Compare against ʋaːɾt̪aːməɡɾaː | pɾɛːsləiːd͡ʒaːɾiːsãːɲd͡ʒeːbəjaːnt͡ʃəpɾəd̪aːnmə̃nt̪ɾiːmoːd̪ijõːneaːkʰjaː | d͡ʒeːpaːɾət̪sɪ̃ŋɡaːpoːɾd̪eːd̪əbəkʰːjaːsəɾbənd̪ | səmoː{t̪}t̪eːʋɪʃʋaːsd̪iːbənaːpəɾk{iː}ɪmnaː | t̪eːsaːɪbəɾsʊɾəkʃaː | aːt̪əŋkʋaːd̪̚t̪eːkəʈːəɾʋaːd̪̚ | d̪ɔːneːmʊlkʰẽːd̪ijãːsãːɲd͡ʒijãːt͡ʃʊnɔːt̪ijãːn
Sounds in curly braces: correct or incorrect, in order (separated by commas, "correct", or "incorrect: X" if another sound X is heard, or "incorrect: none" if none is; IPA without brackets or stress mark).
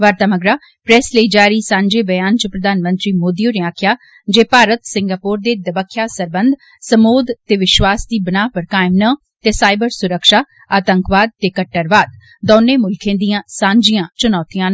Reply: incorrect: d̪, incorrect: aː